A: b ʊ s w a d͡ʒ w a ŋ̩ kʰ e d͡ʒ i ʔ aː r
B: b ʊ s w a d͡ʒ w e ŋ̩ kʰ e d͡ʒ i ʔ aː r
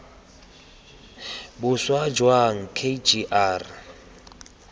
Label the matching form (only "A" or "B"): A